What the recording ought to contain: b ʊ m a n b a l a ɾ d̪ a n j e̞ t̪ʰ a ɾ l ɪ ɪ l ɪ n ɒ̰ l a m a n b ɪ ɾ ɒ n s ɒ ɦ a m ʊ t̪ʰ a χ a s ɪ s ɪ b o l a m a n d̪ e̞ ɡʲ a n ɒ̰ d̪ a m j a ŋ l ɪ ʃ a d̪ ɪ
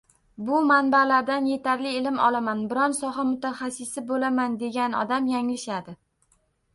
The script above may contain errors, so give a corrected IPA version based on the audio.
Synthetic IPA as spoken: b ʊ m a n b a l a ɾ d̪ a n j e̞ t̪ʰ a ɾ l ɪ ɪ l ɪ m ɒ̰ l a m a n b ɪ ɾ ɒ n s ɒ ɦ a m ʊ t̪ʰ a χ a s ɪ s ɪ b o l a m a n d̪ e̞ ɡʲ a n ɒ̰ d̪ a m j a ŋ l ɪ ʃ a d̪ ɪ